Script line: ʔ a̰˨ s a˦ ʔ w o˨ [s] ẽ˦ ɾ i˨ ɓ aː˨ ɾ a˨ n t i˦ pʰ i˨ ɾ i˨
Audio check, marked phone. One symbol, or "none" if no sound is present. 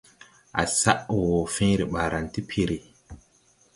f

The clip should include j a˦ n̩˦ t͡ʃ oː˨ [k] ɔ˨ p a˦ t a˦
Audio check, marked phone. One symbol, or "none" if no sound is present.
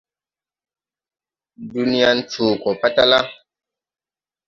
k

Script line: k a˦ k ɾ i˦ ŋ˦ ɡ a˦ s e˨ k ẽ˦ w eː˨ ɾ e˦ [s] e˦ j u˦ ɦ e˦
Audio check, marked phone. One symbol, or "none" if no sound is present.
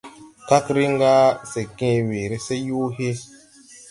s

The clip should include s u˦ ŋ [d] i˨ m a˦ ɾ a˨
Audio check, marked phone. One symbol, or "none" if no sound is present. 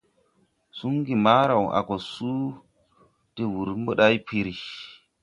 ɡ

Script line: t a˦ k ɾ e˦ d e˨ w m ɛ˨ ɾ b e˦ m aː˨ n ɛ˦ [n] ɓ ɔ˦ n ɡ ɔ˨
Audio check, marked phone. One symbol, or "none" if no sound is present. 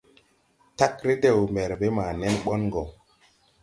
n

